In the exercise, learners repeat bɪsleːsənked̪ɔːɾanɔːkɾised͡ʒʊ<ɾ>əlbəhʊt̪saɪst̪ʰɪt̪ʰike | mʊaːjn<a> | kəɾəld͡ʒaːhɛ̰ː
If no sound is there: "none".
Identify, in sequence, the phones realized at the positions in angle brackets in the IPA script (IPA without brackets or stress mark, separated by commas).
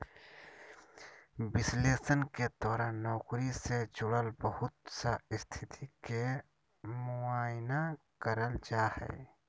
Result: ɽ, a